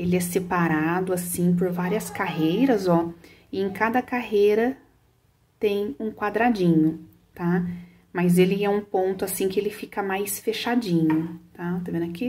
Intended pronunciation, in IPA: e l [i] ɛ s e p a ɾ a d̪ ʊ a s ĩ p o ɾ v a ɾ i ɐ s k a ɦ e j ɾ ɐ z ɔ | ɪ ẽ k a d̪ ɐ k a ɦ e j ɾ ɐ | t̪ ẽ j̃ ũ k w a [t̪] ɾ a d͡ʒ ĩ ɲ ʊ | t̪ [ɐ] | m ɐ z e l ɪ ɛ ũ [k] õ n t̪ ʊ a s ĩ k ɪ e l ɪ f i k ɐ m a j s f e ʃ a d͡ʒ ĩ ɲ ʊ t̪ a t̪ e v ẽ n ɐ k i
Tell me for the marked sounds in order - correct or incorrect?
incorrect, incorrect, incorrect, incorrect

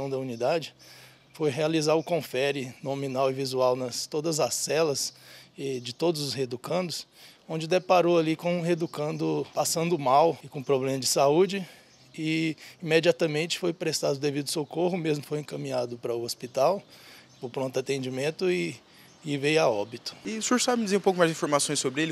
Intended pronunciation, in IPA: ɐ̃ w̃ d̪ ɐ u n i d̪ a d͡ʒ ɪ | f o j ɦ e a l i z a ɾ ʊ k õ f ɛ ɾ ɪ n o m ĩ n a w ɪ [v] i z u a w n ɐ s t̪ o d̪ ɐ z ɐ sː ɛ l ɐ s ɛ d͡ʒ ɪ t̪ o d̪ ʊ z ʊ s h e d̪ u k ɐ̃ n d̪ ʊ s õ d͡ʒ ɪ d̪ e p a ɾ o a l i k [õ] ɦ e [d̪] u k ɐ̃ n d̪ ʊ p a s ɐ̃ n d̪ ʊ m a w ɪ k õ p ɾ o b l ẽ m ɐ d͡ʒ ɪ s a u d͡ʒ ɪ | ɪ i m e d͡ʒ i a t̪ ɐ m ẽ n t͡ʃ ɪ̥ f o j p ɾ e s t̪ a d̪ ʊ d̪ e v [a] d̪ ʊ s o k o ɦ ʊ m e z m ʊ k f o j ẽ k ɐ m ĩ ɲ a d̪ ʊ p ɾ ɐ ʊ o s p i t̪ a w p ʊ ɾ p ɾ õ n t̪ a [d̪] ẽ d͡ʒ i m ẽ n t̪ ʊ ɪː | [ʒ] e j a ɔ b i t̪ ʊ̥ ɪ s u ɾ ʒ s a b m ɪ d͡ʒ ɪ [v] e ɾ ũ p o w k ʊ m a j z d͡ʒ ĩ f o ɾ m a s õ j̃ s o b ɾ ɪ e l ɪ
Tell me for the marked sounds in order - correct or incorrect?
correct, correct, correct, incorrect, incorrect, incorrect, incorrect

